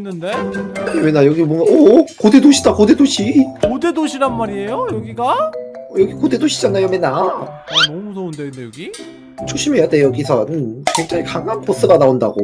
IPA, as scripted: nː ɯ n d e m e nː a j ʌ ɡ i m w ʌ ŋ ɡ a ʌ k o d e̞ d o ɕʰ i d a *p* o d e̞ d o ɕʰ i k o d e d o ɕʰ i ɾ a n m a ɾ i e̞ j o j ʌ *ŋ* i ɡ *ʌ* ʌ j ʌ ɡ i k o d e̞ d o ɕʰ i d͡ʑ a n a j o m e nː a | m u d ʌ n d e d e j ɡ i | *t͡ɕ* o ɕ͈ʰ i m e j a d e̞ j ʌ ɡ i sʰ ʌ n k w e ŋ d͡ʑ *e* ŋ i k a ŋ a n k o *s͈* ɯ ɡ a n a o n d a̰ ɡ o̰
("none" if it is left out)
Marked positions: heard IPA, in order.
k, ɡ, a, t͡ɕʰ, a, s͈

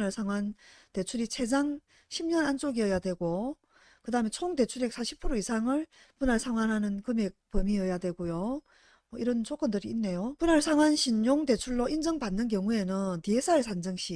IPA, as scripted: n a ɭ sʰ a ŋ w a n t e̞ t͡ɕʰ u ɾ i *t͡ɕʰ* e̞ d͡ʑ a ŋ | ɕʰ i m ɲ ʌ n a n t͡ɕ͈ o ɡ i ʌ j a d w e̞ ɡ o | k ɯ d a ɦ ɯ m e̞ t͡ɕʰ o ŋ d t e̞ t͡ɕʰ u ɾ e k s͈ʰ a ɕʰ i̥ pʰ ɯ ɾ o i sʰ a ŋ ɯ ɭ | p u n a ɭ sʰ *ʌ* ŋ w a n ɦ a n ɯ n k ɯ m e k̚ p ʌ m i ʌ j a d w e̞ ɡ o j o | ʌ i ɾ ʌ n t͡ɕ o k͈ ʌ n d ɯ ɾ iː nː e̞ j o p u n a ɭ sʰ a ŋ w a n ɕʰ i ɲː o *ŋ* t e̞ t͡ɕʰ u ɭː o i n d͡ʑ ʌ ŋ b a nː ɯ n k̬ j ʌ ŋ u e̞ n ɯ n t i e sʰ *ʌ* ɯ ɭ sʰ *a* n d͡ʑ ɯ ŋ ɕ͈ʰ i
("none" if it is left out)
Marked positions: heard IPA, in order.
t͡ɕʰ, a, ŋ, a, a

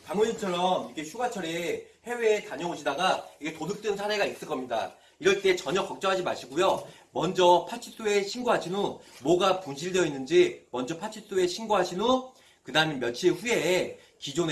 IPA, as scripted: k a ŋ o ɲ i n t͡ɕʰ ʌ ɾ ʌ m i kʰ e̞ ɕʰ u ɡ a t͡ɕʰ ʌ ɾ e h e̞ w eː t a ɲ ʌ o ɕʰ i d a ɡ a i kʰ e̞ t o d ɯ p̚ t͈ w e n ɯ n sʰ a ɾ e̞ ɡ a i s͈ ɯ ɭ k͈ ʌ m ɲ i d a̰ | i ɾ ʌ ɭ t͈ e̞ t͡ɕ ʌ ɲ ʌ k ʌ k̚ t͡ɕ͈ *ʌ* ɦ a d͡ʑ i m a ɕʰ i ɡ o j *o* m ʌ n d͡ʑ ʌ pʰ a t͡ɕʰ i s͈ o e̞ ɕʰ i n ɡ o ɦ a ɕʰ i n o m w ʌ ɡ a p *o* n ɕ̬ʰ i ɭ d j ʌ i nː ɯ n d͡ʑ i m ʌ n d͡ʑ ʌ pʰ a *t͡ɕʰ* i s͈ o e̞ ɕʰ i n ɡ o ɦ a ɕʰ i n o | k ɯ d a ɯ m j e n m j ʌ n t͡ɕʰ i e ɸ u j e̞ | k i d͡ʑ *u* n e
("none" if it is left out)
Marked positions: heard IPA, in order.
ʌ, o, u, t͡ɕʰ, o

